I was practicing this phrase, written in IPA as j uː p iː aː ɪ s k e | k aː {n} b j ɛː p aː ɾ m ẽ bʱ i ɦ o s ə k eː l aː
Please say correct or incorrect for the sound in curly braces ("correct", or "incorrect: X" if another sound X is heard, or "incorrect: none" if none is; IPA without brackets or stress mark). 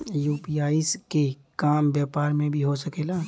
incorrect: m